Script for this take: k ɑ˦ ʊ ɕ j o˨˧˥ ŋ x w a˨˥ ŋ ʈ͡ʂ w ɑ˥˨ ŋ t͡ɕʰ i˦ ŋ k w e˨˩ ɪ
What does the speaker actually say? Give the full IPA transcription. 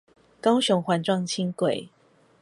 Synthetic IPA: k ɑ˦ ʊ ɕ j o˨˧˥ ŋ x w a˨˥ n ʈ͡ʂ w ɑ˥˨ ŋ t͡ɕʰ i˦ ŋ k w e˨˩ ɪ